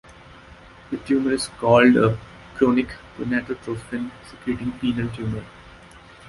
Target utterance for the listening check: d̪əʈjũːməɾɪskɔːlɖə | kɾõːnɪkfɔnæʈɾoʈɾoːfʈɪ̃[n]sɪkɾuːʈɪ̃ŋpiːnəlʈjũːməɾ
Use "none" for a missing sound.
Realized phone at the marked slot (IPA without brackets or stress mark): n